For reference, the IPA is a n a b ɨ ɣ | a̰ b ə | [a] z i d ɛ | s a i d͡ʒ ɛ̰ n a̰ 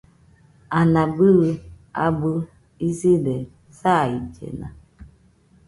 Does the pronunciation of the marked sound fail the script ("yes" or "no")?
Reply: yes